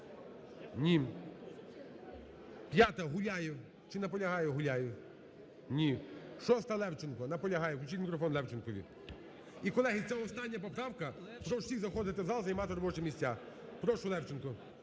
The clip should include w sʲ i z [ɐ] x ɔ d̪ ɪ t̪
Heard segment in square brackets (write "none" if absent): ɐ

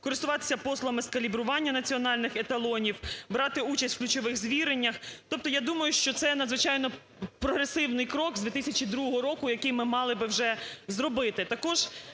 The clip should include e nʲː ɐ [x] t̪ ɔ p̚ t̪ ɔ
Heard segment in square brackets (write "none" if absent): x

